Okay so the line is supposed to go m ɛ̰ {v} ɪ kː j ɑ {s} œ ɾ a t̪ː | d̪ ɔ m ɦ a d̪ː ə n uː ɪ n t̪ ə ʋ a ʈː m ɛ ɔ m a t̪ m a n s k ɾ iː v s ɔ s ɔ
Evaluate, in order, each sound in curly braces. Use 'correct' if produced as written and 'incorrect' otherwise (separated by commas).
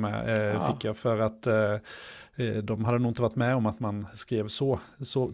incorrect, incorrect